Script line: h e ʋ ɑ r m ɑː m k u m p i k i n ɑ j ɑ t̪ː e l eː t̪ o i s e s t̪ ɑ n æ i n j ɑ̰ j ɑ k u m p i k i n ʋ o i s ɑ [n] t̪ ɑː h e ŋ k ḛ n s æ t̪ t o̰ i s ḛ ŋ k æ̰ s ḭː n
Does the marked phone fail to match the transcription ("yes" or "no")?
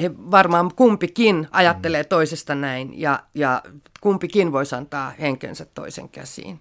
no